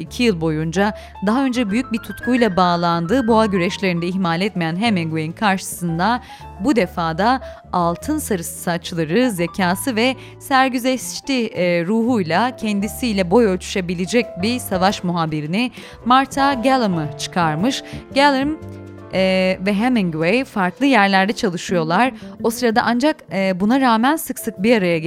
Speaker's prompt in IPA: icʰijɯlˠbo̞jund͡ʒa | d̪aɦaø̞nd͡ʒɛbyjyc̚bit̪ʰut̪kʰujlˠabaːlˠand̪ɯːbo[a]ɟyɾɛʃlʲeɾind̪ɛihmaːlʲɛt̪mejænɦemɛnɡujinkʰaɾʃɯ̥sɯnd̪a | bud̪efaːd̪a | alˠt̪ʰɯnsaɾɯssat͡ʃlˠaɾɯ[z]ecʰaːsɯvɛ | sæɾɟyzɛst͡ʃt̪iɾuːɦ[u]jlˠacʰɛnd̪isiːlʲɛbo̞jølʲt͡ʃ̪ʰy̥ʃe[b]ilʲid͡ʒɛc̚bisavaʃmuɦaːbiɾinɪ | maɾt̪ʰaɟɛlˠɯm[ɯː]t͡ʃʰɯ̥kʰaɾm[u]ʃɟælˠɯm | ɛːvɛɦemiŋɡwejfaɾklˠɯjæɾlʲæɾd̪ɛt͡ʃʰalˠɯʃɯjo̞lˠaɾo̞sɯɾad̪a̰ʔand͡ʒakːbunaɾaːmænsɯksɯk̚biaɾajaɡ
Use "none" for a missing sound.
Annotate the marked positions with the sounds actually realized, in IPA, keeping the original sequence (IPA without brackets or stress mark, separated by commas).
a, z, u, b, ɯ, ɯ